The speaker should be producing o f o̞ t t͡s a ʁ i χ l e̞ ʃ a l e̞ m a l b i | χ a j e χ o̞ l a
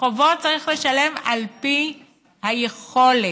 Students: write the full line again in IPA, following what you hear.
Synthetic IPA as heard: o v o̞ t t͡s a ʁ i χ l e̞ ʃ a l e̞ m a l p i | h a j e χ o̞ l e